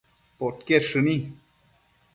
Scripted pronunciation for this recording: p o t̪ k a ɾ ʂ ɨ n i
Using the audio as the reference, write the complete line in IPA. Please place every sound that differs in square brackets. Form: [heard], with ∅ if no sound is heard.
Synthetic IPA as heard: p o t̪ k [e] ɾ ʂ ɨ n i